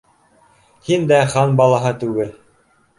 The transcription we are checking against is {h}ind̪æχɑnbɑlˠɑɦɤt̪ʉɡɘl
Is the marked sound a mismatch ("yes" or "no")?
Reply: no